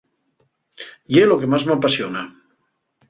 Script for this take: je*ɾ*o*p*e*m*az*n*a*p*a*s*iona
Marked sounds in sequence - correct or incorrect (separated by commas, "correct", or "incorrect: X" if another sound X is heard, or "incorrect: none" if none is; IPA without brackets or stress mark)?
incorrect: l, incorrect: k, correct, incorrect: m, correct, correct